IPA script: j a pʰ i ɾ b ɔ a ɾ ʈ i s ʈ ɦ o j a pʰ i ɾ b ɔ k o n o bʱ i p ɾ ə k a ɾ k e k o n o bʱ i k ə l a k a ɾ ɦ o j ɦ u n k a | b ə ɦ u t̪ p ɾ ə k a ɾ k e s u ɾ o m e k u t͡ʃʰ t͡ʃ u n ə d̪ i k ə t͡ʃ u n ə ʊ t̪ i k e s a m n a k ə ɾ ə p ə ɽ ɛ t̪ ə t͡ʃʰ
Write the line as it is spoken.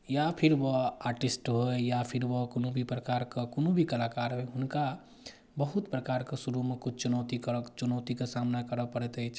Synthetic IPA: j a pʰ i ɾ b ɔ a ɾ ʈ i s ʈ ɦ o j a pʰ i ɾ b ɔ k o n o bʱ i p ɾ ə k a ɾ k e k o n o bʱ i k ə l a k a ɾ ɦ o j ɦ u n k a | b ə ɦ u t̪ p ɾ ə k a ɾ k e s u ɾ u m e k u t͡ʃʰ t͡ʃ u n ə t̪ i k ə t͡ʃ u n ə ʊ t̪ i k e s a m n a k ə ɾ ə p ə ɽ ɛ t̪ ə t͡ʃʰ

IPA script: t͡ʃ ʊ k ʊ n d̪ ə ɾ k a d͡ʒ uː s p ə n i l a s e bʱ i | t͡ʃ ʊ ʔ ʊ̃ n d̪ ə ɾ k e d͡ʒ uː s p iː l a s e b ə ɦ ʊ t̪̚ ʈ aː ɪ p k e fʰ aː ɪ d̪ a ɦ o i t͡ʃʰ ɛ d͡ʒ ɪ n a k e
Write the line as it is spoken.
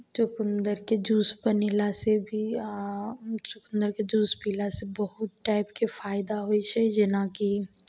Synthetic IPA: t͡ʃ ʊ k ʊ n d̪ ə ɾ k e d͡ʒ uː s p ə n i l a s e bʱ i | t͡ʃ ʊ k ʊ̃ n d̪ ə ɾ k e d͡ʒ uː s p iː l a s e b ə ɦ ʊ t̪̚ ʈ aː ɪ p k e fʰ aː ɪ d̪ a ɦ o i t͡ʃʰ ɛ d͡ʒ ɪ n a k i

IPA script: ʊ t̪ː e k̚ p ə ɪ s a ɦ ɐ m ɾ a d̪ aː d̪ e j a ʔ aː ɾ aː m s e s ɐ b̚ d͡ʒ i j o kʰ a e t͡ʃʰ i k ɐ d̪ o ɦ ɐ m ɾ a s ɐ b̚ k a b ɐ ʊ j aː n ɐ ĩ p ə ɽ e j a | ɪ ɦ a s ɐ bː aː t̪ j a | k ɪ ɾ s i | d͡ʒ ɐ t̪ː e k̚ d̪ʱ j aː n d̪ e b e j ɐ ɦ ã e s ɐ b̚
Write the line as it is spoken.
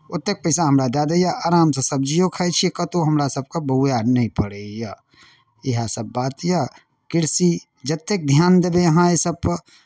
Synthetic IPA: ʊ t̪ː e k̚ p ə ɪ s a ɦ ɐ m ɾ a d̪ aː d̪ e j a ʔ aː ɾ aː m s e s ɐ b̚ d͡ʒ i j o kʰ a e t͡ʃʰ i k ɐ t̪ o ɦ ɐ m ɾ a s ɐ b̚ k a b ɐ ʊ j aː n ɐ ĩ p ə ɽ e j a | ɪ ɦ a s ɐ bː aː t̪ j a | k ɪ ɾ s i | d͡ʒ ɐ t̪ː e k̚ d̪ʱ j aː n d̪ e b e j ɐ ɦ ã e s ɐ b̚

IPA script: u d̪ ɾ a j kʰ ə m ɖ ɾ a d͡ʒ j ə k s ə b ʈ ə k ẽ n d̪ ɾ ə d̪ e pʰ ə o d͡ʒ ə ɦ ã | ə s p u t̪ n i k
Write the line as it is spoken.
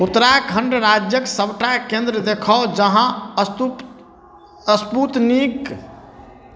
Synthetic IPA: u t̪ ɾ a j kʰ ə ɳ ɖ ɾ a d͡ʒ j ə k s ə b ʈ a k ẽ n d̪ ɾ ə d̪ e kʰ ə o d͡ʒ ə ɦ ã | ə s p u t̪ n i k

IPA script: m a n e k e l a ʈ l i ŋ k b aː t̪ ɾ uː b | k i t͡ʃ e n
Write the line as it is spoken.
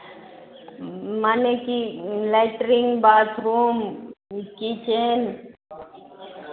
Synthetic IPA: m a n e k i l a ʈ ɾ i ŋ ɡ b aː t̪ ɾ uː m | k i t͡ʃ e n

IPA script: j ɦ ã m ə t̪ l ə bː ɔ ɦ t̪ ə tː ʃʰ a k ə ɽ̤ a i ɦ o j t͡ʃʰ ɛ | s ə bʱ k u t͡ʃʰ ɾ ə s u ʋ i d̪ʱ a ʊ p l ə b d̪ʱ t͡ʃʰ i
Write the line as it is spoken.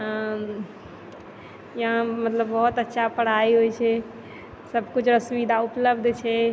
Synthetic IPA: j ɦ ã m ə t̪ l ə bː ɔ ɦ t̪ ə tː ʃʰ a p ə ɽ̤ a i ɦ o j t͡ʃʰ ɛ | s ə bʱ k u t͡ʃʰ ɾ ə s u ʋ i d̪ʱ a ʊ p l ə b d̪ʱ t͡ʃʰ ɛ

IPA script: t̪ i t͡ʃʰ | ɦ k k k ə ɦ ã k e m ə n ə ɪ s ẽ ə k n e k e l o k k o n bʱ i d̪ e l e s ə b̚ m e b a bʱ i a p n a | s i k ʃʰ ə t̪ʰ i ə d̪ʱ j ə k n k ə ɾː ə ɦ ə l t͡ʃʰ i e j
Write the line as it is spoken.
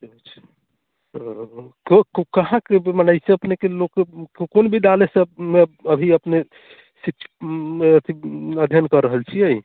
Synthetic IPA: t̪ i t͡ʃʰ | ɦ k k k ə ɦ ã k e m ə n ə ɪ s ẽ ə p n e k e l o k k o n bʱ i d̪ a l e s ə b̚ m e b ə bʱ i ə p n e | s i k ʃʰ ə t̪ʰ i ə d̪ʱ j ə n k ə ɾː ə ɦ ə l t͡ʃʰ i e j

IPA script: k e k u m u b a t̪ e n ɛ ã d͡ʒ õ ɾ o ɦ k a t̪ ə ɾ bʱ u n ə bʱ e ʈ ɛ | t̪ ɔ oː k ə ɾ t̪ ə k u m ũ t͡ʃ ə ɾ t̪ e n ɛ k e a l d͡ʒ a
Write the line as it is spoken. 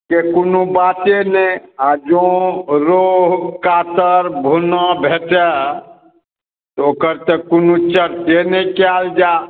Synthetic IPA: k e k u n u b a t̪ e n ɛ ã d͡ʒ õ ɾ o ɦ k a t̪ ə ɾ bʱ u n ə bʱ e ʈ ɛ | t̪ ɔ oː k ə ɾ t̪ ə k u n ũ t͡ʃ ə ɾ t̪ e n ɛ k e a l d͡ʒ a

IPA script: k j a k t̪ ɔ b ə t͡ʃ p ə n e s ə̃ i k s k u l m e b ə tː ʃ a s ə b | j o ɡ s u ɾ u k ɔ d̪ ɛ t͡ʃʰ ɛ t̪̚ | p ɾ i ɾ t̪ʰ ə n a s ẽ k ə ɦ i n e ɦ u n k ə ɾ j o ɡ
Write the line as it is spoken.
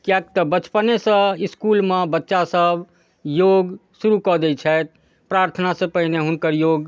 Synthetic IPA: k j a k t̪ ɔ b ə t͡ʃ p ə n e s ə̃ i s k u l m e b ə tː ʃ a s ə b | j o ɡ s u ɾ u k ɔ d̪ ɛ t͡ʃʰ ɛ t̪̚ | p ɾ a ɾ t̪ʰ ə n a s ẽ p ə ɦ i n e ɦ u n k ə ɾ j o ɡ

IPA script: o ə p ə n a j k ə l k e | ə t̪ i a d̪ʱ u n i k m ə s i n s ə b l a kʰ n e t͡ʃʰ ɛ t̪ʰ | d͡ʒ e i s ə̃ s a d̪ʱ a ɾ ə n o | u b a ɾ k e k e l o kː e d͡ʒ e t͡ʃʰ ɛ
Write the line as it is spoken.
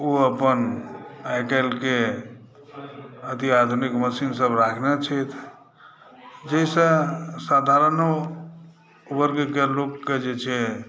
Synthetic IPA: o ə p ə n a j k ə l k e | ə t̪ i a d̪ʱ u n i k m ə s i n s ə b ɾ a kʰ n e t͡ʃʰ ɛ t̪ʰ | d͡ʒ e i s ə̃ s a d̪ʱ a ɾ ə n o | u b ə ɾ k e k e l o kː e d͡ʒ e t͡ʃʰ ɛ

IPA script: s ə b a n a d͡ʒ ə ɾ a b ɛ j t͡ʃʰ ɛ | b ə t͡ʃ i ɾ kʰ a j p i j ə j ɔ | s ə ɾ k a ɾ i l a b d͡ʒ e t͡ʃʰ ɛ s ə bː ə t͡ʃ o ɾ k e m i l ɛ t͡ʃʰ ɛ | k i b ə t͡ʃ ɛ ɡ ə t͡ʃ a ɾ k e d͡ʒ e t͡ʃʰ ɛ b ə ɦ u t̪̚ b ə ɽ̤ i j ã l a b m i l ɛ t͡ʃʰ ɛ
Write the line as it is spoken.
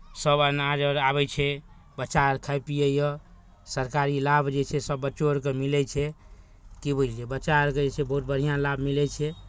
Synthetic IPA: s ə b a n a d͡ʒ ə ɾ a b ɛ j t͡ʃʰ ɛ | b ə t͡ʃ a ɾ kʰ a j p i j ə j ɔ | s ə ɾ k a ɾ i l a b d͡ʒ e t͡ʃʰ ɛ s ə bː ə t͡ʃ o ɾ k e m i l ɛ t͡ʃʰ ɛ | k i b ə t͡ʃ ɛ b ə t͡ʃ a ɾ k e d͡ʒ e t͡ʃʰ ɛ b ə ɦ u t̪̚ b ə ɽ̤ i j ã l a b m i l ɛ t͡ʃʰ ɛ

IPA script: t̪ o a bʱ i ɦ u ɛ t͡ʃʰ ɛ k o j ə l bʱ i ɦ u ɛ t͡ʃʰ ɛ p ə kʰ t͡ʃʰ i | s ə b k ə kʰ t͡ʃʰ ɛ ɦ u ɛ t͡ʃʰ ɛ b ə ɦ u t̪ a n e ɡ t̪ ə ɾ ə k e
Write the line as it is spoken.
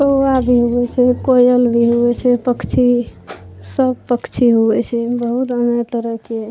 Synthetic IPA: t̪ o a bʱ i ɦ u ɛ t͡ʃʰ ɛ k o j ə l bʱ i ɦ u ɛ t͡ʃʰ ɛ p ə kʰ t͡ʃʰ i | s ə b p ə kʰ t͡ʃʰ i ɦ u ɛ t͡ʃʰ ɛ b ə ɦ u t̪ ə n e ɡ t̪ ə ɾ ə k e

